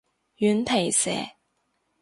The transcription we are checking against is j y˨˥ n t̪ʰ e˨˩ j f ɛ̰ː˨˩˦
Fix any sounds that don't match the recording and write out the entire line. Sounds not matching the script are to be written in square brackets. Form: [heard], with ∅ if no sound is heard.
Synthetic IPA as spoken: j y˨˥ n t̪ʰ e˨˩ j [s] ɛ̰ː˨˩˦